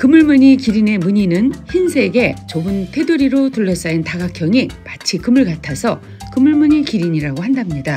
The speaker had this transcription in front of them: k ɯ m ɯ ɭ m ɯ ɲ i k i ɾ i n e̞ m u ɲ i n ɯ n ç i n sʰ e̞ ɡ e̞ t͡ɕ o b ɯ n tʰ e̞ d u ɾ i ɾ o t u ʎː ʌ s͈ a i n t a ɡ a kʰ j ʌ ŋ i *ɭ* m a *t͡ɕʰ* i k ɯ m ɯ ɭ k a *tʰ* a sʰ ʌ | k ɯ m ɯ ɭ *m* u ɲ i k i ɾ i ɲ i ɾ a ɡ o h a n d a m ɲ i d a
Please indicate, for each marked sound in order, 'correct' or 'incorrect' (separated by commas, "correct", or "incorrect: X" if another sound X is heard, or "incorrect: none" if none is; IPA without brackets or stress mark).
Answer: incorrect: none, correct, correct, correct